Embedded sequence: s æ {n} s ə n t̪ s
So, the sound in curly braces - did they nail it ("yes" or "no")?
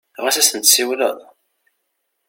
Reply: no